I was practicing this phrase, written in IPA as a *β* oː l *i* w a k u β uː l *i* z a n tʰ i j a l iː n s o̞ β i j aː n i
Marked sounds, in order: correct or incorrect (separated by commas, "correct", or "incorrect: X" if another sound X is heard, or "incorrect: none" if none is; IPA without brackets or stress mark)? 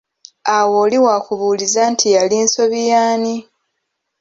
incorrect: w, correct, correct